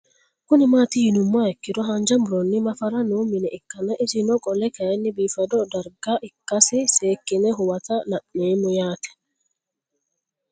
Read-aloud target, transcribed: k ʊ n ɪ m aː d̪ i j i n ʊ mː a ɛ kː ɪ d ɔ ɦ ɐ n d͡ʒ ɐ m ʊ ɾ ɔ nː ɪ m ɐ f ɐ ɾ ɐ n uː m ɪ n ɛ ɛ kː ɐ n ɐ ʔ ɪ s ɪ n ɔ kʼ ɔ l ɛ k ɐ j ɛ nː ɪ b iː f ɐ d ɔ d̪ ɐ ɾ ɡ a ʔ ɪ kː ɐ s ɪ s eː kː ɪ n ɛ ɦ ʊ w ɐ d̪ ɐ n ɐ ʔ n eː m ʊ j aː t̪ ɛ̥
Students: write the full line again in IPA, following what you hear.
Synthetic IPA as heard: k ʊ n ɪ m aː t̪ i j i n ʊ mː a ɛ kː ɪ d ɔ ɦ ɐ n d͡ʒ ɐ m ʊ ɾ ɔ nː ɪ m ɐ f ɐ ɾ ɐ n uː m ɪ n ɛ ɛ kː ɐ n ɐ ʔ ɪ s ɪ n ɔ kʼ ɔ l ɛ k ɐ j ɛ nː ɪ b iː f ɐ d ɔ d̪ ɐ ɾ ɡ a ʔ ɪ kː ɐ s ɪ s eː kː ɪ n ɛ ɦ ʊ w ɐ t̪ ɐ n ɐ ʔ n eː m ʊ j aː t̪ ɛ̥